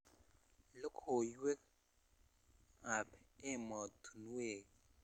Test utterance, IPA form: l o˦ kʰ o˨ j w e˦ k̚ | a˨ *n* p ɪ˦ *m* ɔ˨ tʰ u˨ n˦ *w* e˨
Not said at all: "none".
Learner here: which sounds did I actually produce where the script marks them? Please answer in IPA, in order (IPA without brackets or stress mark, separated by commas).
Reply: none, m, w